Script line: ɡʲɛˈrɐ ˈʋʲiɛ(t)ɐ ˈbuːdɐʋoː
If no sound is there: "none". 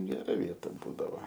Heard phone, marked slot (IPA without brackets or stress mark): t